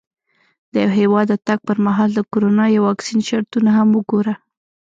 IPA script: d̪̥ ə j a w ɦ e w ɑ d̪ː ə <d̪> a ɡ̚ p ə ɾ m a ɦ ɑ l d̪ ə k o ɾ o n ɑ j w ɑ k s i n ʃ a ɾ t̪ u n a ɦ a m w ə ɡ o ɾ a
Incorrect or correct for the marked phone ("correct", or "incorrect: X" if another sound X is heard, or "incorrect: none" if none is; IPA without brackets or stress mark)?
incorrect: t̪